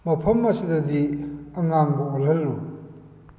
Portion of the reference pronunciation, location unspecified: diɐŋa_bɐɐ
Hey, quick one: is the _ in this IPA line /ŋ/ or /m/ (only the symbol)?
ŋ